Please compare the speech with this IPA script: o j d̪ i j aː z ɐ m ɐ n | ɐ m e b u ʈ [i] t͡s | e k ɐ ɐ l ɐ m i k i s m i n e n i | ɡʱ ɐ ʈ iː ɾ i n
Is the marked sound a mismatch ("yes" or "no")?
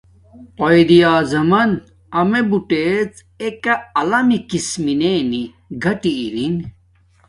yes